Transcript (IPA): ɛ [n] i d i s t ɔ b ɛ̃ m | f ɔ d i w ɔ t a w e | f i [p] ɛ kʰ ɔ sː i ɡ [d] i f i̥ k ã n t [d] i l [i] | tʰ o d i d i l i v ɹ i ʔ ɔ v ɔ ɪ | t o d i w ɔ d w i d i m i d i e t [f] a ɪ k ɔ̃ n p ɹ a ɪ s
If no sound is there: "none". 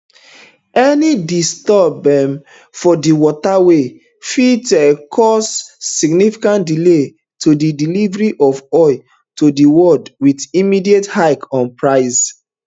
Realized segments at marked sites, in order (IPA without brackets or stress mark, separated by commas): n, t, n, d, e, h